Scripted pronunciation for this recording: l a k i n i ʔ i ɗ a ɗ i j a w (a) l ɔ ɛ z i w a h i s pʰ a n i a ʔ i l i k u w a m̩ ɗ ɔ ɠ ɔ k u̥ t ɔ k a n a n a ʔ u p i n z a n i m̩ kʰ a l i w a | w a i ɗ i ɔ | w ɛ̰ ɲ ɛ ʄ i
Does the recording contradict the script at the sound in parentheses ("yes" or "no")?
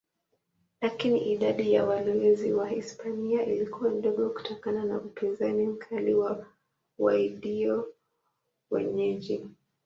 no